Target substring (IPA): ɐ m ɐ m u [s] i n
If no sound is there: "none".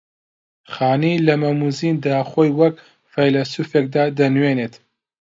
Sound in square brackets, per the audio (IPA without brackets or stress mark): z